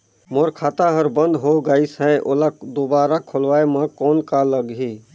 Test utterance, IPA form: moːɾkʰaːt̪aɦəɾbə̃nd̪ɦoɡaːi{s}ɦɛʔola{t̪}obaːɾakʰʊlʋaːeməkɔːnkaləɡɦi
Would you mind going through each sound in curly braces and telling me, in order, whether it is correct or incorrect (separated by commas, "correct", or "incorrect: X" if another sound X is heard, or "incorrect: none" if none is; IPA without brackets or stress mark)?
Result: correct, incorrect: d̪